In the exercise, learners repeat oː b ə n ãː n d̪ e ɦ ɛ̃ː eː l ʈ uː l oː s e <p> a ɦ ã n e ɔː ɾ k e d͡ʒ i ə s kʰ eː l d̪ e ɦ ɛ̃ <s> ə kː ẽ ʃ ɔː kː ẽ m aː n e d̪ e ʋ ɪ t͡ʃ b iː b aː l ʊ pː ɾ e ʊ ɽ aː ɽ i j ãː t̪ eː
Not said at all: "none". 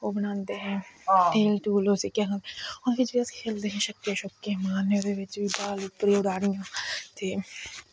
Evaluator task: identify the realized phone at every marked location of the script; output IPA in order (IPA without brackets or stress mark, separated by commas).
k, ʃ